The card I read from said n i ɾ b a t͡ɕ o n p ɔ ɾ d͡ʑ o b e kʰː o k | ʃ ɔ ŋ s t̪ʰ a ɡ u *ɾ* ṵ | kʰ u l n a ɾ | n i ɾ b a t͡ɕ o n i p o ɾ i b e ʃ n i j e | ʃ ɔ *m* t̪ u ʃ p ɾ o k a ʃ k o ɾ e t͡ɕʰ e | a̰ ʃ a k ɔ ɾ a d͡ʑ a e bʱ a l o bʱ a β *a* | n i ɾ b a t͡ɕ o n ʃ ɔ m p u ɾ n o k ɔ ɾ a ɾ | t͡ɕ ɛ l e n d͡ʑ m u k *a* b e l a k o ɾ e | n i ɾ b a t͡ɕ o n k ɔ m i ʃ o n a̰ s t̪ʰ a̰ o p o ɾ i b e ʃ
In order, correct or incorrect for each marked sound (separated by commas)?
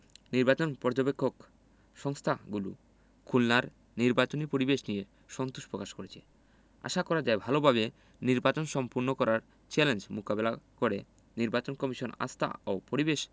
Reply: incorrect, incorrect, incorrect, correct